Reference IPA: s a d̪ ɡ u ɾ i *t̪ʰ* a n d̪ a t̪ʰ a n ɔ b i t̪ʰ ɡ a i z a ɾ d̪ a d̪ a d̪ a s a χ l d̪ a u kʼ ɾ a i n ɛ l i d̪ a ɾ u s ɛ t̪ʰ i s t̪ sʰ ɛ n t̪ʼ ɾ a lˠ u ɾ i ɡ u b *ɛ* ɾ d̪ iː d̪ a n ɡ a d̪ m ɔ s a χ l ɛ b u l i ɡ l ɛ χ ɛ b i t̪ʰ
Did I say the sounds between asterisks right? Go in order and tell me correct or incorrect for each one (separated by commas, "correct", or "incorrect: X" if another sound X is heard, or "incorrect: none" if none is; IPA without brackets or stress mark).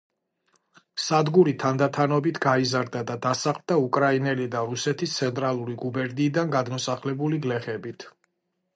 correct, correct